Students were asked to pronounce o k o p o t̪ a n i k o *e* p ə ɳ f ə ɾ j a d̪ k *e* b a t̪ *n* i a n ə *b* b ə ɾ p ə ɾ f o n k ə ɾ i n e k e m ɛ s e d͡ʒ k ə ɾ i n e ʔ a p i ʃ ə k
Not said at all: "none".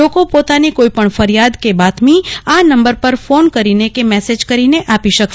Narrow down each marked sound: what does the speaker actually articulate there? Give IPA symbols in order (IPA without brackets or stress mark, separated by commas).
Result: i, e, m, m